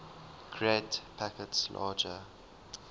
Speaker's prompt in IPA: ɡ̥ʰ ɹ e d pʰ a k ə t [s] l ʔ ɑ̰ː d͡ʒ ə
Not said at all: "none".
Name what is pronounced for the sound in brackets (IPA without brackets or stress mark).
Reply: s